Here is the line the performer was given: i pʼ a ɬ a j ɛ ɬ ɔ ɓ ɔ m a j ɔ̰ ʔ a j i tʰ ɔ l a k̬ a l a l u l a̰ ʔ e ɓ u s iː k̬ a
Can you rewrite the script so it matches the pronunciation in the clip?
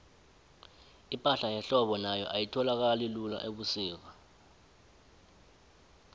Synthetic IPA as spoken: i pʼ a ɬ a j ɛ ɬ ɔ ɓ ɔ n a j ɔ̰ ʔ a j i tʰ ɔ l a k̬ a l i l u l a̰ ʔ e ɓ u s iː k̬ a